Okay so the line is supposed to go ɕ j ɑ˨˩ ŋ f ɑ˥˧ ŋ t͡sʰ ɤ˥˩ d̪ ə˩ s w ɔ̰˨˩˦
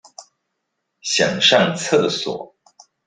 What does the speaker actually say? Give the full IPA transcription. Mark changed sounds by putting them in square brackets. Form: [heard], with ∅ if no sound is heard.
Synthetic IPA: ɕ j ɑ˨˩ ŋ [ʂ] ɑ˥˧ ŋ t͡sʰ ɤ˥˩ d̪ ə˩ s w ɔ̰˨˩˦